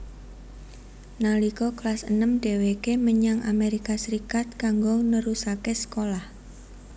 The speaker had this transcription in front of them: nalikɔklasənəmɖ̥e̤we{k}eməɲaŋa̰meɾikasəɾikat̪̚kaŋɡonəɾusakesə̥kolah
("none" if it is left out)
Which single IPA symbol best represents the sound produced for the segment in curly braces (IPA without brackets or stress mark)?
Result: k